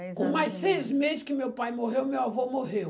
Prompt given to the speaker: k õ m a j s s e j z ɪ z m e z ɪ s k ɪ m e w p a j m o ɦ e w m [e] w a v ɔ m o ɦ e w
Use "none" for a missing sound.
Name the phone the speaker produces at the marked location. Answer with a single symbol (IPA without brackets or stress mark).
e